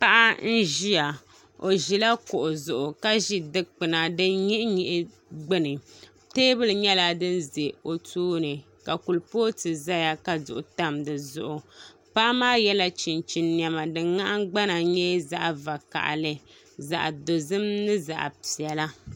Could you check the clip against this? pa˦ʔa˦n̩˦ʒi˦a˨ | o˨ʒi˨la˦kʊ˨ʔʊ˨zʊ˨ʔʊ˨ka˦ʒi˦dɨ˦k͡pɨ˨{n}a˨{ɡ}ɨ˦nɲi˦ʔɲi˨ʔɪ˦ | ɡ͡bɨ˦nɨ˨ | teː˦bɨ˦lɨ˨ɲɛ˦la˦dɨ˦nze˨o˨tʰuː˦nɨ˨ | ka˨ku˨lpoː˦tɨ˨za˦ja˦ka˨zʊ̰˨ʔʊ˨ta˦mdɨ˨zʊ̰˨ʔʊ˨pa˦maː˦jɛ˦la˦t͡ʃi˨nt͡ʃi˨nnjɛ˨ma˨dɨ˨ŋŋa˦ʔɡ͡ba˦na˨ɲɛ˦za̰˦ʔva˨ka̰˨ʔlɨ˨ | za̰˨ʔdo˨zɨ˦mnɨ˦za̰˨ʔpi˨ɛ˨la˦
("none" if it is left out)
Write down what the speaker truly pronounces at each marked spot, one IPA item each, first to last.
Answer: n, d

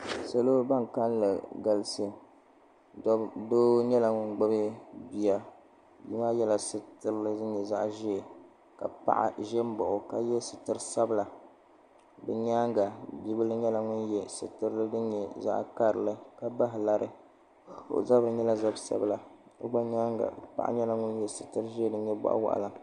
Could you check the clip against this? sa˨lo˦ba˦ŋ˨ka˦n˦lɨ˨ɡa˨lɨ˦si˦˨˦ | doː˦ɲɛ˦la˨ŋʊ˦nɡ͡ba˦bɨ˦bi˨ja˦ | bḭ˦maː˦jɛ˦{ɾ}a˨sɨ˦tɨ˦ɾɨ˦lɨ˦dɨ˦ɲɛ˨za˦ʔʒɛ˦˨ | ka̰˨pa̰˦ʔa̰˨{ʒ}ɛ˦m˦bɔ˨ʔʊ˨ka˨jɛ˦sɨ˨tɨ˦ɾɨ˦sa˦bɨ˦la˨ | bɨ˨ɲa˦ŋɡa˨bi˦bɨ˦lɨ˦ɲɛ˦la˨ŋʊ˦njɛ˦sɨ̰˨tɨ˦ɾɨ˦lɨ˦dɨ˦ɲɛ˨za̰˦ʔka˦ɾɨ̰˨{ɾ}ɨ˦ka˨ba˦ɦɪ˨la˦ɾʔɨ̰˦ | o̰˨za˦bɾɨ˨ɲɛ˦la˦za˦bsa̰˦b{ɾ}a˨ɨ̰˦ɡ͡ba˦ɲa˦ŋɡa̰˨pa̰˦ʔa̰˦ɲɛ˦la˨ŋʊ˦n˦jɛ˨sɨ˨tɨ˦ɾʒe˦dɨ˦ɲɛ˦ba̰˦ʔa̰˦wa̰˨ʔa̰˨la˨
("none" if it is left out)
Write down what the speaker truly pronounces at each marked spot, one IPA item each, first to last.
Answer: l, ʒ, l, l

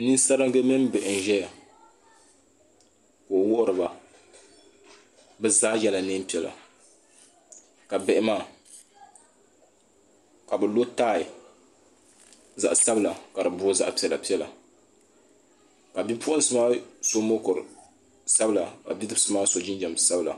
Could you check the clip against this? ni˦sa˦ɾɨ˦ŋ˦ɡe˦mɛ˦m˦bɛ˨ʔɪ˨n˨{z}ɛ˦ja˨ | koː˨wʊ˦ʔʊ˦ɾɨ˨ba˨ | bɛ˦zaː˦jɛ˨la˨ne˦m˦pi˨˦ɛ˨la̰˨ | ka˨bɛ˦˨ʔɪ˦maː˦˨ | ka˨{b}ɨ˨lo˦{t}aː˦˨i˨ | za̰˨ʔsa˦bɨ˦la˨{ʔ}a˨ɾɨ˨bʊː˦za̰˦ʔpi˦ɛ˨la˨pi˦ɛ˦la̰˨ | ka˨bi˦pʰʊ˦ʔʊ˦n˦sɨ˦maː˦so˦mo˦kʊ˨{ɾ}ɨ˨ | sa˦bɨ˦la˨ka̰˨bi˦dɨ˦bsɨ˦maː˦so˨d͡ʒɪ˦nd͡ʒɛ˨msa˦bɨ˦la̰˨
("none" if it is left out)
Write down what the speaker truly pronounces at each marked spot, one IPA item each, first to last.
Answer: ʒ, b, t, k, ɾ

